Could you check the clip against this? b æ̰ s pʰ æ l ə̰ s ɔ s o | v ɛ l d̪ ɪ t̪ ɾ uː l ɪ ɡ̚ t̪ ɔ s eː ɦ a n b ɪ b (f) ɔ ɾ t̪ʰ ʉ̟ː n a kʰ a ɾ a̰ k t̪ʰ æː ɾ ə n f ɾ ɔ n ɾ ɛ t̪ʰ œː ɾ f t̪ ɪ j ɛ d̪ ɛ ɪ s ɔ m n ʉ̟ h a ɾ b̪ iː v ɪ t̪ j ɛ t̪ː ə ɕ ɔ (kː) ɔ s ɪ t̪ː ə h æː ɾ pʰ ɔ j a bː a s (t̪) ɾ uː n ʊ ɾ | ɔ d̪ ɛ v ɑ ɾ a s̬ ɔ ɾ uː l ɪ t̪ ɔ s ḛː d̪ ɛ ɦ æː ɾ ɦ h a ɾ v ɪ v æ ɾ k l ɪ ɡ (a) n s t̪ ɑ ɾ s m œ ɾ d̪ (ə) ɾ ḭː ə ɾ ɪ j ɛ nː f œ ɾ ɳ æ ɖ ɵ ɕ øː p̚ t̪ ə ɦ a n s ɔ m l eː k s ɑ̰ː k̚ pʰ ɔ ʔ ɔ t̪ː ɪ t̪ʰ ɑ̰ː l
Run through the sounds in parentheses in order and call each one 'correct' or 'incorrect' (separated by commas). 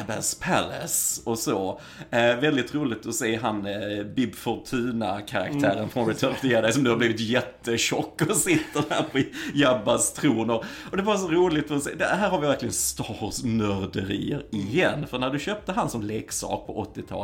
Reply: correct, correct, incorrect, incorrect, correct